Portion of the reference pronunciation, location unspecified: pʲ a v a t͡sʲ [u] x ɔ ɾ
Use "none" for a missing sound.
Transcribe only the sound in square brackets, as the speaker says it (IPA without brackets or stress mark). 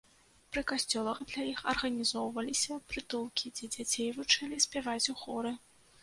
u